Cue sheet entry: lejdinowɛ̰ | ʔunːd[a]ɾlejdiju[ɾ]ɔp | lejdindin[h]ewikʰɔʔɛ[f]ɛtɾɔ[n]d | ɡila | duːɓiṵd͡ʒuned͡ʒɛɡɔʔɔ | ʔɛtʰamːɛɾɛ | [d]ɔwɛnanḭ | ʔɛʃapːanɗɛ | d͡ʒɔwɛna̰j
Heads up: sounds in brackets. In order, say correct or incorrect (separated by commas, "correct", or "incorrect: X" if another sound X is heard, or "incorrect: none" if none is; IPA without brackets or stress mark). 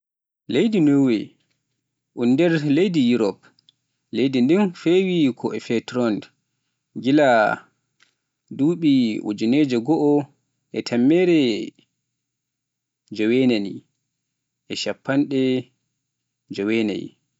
incorrect: ɛ, correct, incorrect: f, correct, correct, incorrect: d͡ʒ